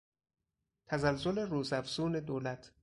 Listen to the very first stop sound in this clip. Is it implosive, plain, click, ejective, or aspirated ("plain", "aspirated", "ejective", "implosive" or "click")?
aspirated